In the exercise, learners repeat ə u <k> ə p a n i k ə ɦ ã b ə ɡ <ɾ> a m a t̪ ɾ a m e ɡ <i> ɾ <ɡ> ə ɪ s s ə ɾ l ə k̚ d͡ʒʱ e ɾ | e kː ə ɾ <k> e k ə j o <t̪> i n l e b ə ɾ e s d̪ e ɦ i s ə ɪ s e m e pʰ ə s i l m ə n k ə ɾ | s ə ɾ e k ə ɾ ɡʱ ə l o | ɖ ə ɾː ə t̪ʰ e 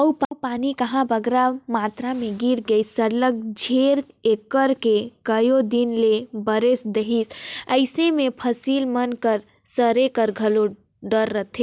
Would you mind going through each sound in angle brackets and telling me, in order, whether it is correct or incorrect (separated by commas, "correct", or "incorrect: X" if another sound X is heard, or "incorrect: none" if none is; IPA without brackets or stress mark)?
incorrect: p, correct, correct, correct, correct, incorrect: d̪